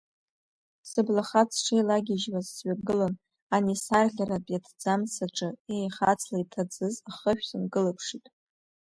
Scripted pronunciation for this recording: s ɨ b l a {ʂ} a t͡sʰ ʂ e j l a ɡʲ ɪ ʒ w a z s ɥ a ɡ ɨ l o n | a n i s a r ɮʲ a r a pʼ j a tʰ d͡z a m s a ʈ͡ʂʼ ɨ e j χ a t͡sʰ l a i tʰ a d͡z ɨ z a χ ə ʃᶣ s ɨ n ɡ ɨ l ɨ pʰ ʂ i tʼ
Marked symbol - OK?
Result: no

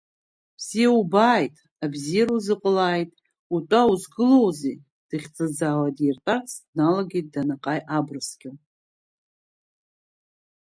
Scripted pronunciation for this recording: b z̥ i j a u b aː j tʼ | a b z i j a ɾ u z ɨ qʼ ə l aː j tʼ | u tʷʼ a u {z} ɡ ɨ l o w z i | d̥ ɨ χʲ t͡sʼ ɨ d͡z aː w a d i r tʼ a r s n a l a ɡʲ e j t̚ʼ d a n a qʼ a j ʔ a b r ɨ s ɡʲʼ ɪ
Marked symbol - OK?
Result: yes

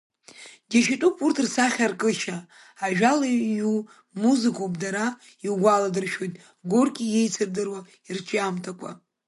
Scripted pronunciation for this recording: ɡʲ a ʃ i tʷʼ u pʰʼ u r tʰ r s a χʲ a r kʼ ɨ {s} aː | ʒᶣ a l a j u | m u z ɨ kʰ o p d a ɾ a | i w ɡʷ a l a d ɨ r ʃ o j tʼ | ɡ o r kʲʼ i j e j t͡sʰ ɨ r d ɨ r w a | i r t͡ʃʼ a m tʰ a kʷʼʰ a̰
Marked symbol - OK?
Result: no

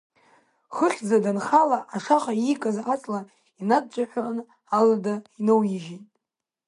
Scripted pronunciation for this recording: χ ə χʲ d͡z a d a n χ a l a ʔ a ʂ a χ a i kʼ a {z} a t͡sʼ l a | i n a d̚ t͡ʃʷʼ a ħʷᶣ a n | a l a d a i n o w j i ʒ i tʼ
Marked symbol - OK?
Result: yes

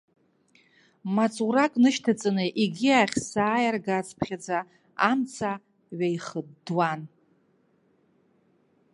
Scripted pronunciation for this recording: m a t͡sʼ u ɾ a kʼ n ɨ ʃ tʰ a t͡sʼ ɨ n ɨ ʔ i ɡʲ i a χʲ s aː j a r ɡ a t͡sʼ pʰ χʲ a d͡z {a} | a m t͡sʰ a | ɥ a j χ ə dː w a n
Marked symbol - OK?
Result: yes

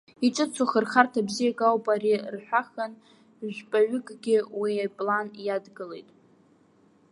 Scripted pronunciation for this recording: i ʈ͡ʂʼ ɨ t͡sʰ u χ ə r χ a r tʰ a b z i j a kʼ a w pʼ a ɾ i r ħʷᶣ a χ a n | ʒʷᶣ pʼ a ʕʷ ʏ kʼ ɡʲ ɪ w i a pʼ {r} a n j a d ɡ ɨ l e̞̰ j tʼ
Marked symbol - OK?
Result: no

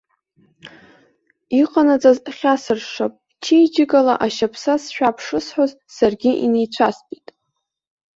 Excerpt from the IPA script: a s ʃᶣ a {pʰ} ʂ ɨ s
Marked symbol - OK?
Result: yes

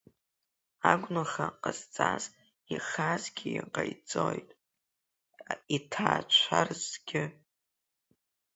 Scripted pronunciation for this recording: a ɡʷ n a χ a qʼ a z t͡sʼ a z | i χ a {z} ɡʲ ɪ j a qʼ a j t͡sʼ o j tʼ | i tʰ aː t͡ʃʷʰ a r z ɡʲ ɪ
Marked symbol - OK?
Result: yes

